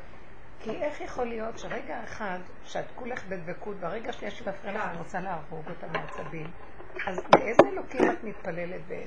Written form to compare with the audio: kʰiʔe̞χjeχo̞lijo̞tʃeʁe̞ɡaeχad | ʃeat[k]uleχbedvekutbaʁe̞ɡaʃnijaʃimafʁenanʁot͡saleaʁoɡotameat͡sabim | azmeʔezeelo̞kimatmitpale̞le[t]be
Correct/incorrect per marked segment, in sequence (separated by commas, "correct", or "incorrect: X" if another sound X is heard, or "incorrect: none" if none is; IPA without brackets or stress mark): correct, correct